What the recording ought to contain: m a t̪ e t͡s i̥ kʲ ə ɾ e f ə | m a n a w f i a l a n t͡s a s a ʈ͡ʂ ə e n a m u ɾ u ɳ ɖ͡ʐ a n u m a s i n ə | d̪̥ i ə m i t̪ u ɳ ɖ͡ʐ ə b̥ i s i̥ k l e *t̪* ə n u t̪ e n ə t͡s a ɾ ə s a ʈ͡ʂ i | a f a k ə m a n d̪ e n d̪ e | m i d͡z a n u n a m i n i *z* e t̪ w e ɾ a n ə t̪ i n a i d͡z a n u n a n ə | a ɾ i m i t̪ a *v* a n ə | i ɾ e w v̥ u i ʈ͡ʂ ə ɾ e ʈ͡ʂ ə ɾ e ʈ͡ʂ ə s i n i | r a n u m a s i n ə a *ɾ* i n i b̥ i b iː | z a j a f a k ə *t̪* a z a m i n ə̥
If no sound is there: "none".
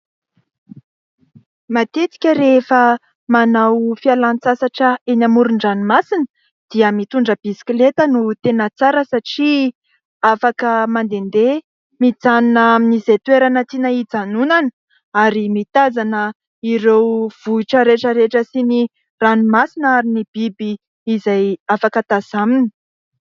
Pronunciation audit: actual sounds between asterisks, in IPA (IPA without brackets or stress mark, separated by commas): t̪, z, z, ɾ, t̪